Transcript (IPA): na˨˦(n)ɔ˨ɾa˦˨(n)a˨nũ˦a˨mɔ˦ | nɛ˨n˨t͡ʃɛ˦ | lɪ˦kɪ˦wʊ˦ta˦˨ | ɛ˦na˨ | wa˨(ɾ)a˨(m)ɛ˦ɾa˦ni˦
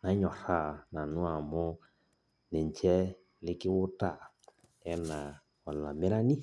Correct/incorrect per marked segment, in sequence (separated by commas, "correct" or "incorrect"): incorrect, correct, incorrect, correct